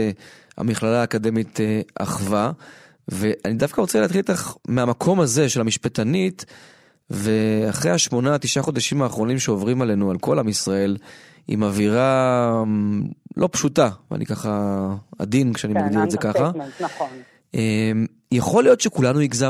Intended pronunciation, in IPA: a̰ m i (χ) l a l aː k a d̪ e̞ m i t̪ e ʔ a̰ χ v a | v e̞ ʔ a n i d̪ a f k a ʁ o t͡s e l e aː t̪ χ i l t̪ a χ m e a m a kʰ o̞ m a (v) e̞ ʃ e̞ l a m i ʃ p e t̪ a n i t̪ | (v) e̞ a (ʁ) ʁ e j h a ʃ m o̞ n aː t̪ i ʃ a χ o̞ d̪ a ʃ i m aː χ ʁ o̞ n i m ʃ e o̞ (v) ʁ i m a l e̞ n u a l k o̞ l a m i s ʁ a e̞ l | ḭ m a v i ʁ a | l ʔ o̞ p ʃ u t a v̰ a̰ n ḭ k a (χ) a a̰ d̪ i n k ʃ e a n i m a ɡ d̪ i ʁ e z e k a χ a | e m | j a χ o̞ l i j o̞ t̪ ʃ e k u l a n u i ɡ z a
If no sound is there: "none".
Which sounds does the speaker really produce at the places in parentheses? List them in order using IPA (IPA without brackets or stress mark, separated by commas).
χ, z, v, χ, v, χ